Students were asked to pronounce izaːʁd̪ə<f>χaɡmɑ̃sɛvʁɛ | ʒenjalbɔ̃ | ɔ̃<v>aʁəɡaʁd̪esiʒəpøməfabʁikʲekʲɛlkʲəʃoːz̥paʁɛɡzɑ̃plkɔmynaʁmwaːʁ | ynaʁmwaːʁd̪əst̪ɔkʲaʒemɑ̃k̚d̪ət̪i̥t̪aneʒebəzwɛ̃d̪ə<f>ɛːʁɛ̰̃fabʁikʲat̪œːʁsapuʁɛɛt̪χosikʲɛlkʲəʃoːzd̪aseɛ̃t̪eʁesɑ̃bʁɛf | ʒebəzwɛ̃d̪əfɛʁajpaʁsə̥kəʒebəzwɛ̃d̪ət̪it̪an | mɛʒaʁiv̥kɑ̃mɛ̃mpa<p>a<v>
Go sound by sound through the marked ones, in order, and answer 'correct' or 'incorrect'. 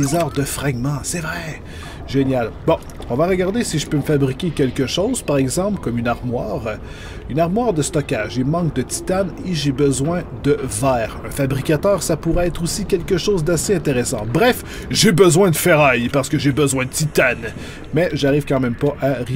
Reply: correct, correct, incorrect: v, incorrect: ʔ, incorrect: ʁ

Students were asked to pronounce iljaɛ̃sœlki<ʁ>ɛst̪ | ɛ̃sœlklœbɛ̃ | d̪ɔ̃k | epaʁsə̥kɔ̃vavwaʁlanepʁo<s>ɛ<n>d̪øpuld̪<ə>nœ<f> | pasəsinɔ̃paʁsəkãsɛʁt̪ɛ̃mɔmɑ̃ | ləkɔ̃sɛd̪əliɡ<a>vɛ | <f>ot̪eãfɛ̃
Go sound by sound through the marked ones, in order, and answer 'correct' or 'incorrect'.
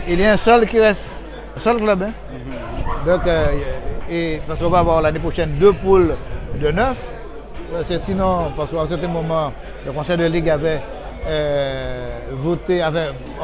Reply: correct, incorrect: ʃ, correct, correct, correct, correct, incorrect: v

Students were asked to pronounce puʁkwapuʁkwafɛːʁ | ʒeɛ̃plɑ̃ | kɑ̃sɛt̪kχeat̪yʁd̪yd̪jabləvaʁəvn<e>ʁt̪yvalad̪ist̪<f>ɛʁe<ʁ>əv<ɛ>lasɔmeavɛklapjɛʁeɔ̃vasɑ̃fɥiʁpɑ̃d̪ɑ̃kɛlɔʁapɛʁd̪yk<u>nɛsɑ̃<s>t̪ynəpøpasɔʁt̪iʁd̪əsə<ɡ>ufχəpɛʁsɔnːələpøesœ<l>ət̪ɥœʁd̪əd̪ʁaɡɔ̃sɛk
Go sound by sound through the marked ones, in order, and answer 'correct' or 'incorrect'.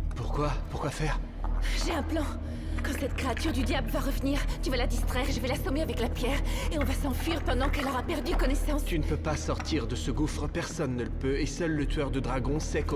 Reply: incorrect: i, incorrect: χ, incorrect: ʒ, correct, incorrect: ɔ, correct, correct, incorrect: lː

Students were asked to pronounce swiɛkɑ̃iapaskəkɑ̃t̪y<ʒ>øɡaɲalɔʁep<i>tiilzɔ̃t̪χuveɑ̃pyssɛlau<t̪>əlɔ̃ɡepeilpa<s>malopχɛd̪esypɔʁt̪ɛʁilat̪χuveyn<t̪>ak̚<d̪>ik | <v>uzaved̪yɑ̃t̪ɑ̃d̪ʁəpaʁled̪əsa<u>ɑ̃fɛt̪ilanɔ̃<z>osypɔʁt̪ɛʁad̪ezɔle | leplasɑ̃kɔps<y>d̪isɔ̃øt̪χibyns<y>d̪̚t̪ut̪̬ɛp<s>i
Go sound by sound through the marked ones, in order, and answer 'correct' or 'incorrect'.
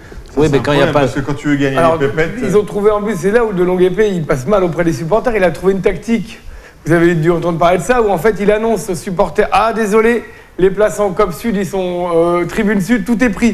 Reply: incorrect: v, incorrect: ɛ, incorrect: d̪, correct, correct, incorrect: t̪, correct, correct, incorrect: s, correct, correct, incorrect: χ

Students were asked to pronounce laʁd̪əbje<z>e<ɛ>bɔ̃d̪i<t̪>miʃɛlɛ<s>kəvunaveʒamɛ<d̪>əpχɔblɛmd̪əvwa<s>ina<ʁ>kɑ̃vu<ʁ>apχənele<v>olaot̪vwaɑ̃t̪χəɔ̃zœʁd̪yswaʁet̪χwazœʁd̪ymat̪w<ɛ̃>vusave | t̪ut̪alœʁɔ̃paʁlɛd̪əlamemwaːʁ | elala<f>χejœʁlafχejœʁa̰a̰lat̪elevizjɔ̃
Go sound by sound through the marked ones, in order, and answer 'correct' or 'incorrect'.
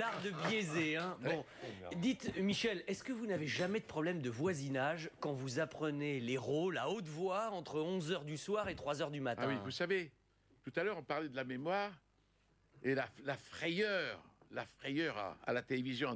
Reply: correct, incorrect: ɛ̃, correct, correct, correct, incorrect: z, incorrect: ʒ, incorrect: z, incorrect: ʁ, incorrect: ĩ, correct

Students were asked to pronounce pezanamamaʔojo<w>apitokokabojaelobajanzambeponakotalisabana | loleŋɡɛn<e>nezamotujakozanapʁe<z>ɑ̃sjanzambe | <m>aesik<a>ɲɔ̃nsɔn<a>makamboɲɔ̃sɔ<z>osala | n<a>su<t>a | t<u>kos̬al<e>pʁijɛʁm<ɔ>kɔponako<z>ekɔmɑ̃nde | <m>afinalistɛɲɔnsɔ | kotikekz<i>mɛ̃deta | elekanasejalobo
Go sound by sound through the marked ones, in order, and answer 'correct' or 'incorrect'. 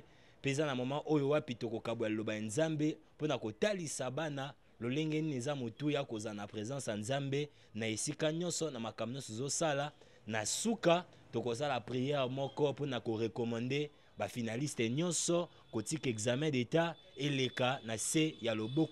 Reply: correct, incorrect: i, correct, incorrect: n, correct, correct, correct, correct, incorrect: k, incorrect: o, incorrect: a, correct, incorrect: ʁ, incorrect: b, incorrect: a

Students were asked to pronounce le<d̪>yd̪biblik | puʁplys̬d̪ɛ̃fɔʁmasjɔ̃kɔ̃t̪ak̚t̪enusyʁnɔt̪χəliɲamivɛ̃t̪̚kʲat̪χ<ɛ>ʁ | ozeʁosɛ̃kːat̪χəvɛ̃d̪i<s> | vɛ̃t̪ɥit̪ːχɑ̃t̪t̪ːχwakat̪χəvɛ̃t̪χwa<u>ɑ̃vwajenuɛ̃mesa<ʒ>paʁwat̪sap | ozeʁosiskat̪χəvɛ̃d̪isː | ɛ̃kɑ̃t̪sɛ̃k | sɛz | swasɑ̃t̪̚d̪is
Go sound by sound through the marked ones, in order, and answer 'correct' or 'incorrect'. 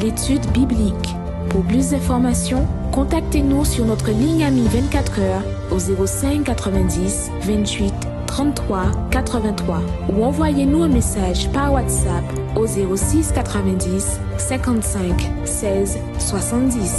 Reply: incorrect: t̪, incorrect: œ, correct, correct, correct

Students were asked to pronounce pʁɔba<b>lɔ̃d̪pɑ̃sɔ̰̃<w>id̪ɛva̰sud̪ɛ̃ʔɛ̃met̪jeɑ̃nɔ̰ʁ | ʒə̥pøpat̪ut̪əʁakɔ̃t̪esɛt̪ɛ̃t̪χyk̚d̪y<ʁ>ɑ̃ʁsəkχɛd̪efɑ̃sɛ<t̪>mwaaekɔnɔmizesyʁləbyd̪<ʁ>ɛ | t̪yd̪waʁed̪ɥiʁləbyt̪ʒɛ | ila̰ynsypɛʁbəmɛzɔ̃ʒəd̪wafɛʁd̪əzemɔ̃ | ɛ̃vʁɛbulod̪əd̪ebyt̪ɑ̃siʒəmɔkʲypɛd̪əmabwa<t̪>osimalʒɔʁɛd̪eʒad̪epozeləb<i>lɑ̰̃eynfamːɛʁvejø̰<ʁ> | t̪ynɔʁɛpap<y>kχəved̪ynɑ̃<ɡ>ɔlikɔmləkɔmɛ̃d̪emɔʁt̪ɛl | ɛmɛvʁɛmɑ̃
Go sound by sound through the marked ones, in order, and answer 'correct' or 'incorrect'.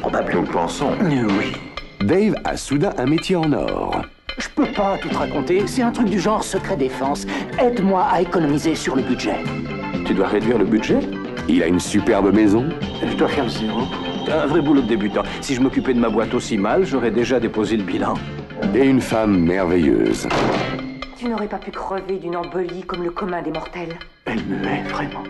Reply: correct, correct, incorrect: ʒ, incorrect: d̪, incorrect: ʒ, correct, correct, incorrect: z, correct, incorrect: b

